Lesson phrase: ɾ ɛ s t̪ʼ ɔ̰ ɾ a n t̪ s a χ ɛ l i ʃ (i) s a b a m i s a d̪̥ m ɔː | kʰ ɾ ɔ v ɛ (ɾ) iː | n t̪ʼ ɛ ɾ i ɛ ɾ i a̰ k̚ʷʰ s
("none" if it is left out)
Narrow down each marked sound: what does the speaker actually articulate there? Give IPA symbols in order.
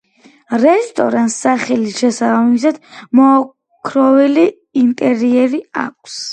ɛ, l

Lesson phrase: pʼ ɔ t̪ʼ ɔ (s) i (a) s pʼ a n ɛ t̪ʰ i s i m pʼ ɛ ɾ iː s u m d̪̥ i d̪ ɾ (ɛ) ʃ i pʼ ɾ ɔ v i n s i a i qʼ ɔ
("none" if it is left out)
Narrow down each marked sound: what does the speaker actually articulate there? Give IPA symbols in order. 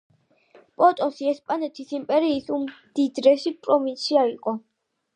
s, ɛ, ɛ

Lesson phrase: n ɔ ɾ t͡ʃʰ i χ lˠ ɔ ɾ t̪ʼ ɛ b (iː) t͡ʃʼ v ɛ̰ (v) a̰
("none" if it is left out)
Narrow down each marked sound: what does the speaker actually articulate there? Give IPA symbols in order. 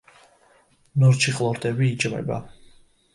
iː, b

